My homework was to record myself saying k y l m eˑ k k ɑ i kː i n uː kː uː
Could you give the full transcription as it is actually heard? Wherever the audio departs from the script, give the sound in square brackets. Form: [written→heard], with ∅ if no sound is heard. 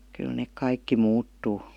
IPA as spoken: k y l [m→n] eˑ k k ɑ i kː i [n→m] uː [kː→tː] uː